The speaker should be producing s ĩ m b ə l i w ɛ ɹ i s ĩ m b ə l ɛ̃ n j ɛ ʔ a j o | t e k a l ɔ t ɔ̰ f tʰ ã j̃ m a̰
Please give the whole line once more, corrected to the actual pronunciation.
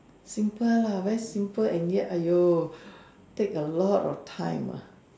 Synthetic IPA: s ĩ m p ə l a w ɛ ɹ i s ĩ m p ə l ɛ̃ n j ɛ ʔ a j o | t e k ə l ɔ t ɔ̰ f tʰ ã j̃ m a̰